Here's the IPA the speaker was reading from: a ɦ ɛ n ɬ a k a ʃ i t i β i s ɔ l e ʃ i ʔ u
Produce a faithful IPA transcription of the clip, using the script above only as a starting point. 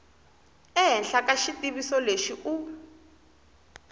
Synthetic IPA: ɛ ɦ ɛ n ɬ a k a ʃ i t i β i s ɔ l e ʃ i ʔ u